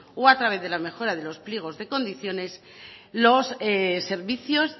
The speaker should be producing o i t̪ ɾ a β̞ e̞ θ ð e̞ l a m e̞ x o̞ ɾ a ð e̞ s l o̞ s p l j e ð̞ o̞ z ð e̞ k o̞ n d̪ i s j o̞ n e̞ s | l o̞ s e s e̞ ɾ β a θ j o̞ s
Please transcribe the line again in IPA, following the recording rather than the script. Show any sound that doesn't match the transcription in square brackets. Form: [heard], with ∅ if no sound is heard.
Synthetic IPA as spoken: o [a] t̪ ɾ a β̞ e̞ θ ð e̞ l a m e̞ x o̞ ɾ a ð e̞ [∅] l o̞ s p l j e [ɣ̞] o̞ z ð e̞ k o̞ n d̪ i [θ] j o̞ n e̞ s | l o̞ s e s e̞ ɾ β [i] θ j o̞ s